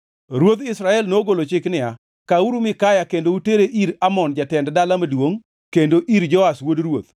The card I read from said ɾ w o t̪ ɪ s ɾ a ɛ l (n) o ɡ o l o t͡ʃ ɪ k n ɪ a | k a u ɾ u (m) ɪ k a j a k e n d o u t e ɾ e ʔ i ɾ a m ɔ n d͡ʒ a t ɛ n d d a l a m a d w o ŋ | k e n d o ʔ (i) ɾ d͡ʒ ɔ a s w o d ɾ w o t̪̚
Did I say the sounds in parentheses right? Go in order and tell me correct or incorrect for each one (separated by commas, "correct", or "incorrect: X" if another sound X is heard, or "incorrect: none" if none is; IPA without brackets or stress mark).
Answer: correct, correct, correct